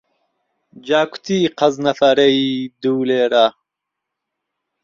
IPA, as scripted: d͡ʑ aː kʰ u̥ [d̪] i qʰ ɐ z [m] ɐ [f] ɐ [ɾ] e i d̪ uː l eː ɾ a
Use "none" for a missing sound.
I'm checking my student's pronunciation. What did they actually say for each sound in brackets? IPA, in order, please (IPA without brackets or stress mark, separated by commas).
t̪, n, f, ɾ